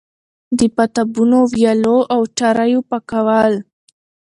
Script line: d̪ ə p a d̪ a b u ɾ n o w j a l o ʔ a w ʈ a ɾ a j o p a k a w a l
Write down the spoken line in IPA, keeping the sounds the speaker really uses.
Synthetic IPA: d̪ ə p a t̪ a b u n o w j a l o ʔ a w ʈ a ɾ a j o p a k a w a l